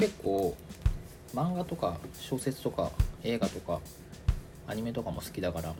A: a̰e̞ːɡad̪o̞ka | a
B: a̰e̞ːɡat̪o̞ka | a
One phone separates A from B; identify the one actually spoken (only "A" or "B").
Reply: B